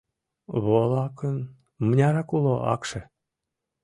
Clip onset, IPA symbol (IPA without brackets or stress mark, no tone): β